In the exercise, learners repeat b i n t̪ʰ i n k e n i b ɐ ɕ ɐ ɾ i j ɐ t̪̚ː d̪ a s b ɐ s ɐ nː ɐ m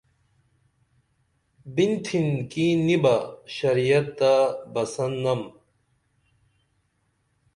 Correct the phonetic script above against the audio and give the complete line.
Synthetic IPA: b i n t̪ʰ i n k i n i b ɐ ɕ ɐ ɾ i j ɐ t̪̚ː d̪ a b ɐ s ɐ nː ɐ m